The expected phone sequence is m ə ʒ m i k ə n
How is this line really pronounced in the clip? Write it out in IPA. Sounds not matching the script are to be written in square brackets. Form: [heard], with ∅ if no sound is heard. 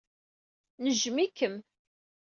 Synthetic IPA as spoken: [n] ə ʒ m i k ə [m]